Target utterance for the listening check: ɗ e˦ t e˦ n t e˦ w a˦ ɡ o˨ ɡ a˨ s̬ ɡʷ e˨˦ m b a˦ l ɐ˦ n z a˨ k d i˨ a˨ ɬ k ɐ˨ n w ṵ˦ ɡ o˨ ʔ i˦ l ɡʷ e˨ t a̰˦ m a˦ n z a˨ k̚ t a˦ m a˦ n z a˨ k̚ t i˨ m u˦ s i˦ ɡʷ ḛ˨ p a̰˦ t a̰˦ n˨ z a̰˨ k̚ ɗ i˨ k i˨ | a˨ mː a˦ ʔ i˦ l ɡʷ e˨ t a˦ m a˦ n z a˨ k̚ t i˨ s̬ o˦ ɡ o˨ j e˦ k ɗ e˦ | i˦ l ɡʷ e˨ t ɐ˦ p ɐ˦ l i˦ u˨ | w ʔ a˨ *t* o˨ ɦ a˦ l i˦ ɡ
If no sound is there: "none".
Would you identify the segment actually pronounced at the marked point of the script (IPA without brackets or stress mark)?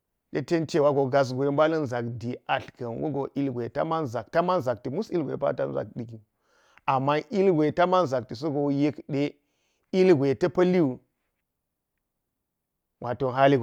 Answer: t